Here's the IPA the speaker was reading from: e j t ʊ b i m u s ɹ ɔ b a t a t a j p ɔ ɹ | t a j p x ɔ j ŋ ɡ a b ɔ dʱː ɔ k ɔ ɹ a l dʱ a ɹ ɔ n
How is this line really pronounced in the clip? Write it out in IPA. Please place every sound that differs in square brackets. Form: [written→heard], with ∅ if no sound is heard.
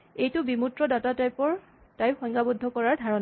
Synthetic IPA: e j t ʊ b i m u [s→t] ɹ ɔ [b→d] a t a t a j p ɔ ɹ | t a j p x ɔ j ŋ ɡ a b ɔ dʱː ɔ k ɔ ɹ a [l→ɹ] dʱ a ɹ ɔ n